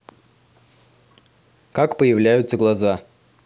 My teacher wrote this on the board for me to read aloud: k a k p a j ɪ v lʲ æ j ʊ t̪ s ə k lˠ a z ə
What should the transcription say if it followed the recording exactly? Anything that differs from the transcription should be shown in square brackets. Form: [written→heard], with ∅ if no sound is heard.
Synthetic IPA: k a k p [a→ə] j ɪ v lʲ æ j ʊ t̪ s ə [k→ɡ] lˠ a z [ə→a]